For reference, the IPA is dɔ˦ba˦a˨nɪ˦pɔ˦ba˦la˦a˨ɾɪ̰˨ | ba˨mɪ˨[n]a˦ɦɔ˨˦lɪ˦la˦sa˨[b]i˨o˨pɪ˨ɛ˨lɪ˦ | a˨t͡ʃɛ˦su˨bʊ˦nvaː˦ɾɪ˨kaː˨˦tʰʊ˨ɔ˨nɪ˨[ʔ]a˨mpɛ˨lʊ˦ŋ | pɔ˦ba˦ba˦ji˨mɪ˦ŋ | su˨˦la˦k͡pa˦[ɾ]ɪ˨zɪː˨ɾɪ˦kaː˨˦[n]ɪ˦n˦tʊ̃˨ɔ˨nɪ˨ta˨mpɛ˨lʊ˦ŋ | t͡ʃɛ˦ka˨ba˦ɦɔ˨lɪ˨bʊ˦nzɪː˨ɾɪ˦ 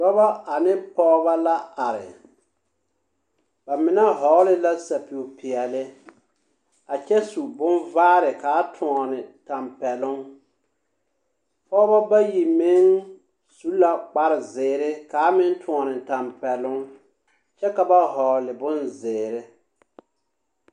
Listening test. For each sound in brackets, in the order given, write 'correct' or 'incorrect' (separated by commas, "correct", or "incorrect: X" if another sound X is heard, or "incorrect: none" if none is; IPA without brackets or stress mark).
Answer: correct, incorrect: p, incorrect: t, correct, incorrect: m